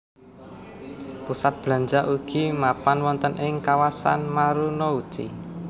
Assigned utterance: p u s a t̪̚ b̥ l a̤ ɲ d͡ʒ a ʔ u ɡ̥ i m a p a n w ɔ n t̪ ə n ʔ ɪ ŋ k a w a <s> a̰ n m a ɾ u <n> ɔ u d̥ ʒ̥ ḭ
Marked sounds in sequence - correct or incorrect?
correct, correct

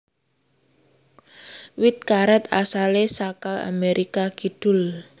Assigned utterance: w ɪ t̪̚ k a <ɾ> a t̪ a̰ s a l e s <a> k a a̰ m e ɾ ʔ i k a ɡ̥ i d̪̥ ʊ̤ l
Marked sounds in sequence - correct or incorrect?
correct, correct

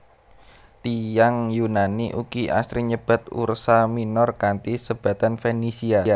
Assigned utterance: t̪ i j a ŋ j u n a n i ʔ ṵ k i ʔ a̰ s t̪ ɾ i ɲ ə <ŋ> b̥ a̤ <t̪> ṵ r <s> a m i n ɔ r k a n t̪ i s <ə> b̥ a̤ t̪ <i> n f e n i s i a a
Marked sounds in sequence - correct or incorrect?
incorrect, correct, correct, correct, incorrect

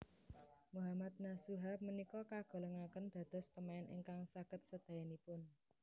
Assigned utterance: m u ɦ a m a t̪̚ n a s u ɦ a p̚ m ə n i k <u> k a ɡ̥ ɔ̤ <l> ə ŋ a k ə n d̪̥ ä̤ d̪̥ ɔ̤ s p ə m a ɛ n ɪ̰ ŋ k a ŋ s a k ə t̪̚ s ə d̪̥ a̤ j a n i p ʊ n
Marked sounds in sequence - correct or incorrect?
incorrect, correct

